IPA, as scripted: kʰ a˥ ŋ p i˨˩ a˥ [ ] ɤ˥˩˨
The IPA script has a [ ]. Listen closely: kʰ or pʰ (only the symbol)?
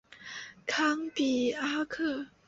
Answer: kʰ